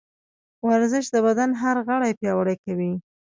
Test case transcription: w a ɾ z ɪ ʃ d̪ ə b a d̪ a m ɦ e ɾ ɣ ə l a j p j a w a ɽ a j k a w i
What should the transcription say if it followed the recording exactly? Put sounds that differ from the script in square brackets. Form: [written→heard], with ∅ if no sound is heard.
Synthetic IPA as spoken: w a ɾ z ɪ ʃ d̪ ə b a d̪ a [m→n] ɦ [e→a] ɾ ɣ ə [l→ɽ] a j p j [a→ɑ] w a ɽ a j k a w i